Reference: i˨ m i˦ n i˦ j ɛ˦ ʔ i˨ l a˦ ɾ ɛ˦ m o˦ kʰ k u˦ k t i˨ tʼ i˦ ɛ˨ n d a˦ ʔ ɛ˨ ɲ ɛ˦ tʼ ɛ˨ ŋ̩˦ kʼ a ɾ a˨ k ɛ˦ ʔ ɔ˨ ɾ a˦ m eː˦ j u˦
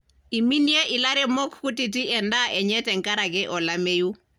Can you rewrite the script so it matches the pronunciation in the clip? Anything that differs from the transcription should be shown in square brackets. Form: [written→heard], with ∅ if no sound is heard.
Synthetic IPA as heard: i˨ m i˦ n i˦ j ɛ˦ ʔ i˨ l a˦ ɾ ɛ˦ m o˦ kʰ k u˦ [k→∅] t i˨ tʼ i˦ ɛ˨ n d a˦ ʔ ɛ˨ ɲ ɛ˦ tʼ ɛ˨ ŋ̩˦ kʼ a ɾ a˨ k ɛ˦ ʔ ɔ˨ [ɾ→l] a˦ m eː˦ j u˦